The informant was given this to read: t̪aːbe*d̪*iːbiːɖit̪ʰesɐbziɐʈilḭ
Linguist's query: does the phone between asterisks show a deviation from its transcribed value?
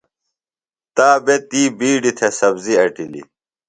yes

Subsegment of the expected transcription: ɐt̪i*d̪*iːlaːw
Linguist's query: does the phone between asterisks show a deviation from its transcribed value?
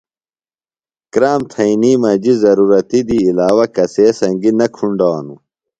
no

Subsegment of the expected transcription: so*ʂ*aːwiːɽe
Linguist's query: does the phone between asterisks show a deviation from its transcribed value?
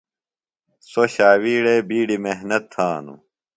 yes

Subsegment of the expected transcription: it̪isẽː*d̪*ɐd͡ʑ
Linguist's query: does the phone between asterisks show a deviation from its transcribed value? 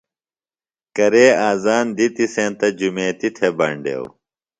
yes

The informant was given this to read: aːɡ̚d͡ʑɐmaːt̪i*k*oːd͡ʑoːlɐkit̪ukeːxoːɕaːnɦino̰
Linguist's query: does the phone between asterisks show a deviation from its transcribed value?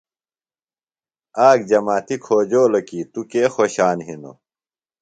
yes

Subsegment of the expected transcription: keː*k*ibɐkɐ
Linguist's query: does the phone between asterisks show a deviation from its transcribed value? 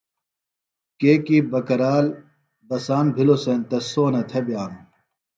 no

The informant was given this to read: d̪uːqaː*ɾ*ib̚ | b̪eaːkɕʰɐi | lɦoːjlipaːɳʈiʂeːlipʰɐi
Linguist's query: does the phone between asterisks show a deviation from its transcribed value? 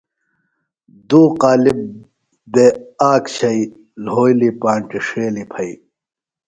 yes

